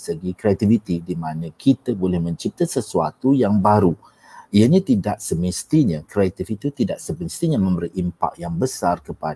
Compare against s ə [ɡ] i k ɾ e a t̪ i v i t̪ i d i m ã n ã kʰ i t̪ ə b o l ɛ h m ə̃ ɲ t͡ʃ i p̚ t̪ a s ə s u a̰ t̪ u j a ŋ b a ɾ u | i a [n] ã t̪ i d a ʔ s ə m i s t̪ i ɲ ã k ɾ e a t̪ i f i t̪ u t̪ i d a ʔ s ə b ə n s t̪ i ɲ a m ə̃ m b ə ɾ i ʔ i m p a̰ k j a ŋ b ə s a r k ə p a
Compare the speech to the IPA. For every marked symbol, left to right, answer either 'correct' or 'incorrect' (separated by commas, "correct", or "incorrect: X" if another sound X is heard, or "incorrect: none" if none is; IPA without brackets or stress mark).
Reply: correct, incorrect: ɲ